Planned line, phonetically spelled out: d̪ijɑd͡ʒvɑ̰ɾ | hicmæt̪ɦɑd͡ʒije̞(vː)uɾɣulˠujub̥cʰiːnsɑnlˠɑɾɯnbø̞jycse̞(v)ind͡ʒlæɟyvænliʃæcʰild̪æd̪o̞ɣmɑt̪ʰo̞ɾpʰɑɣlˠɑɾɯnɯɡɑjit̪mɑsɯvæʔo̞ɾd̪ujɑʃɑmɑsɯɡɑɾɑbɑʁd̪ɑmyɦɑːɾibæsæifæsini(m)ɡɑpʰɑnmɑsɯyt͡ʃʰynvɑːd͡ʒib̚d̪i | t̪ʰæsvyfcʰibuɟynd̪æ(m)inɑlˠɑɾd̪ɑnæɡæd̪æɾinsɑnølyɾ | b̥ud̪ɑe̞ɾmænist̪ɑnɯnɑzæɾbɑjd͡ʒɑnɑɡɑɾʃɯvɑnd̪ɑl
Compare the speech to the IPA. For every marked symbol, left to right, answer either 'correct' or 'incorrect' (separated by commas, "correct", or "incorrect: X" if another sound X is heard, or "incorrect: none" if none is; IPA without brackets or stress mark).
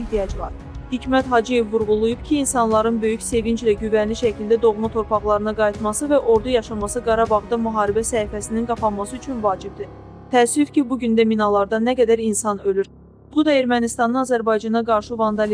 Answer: correct, correct, incorrect: n, correct